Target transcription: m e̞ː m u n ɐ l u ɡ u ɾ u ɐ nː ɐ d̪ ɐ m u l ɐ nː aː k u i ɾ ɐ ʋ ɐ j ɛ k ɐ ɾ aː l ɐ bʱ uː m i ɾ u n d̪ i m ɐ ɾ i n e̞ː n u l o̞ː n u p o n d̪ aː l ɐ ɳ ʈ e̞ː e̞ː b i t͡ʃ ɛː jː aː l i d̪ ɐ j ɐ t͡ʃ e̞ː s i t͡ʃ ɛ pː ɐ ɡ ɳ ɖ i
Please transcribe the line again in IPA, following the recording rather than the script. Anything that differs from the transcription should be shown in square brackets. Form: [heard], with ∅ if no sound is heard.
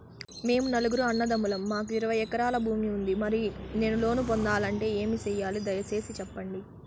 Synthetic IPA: m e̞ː m u n ɐ l u ɡ u ɾ u ɐ nː ɐ d̪ ɐ m u l ɐ [mː] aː k u i ɾ ɐ ʋ ɐ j ɛ k ɐ ɾ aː l ɐ bʱ uː m i [∅] u n d̪ i m ɐ ɾ i n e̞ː n u l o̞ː n u p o n d̪ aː l ɐ ɳ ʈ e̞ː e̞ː [m] i t͡ʃ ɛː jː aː l i d̪ ɐ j ɐ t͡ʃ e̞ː s i t͡ʃ ɛ pː ɐ [∅] ɳ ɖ i